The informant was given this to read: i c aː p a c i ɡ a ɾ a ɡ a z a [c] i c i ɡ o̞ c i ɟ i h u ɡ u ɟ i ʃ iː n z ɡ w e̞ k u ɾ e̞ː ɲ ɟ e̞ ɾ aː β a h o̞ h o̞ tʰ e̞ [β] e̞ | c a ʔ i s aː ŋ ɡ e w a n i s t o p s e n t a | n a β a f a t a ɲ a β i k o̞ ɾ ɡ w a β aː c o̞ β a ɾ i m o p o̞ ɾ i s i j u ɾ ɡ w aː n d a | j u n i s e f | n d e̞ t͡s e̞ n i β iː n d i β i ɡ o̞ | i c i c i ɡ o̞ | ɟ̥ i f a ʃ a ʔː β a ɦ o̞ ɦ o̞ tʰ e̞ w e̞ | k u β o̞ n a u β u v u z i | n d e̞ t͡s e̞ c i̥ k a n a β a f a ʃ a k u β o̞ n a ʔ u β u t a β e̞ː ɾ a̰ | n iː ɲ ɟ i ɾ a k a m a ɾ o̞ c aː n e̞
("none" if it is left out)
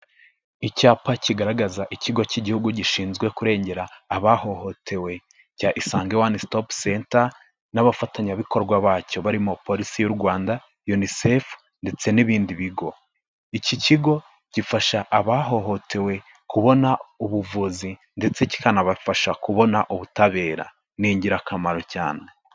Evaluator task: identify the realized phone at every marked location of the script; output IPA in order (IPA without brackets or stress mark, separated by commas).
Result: ʔ, w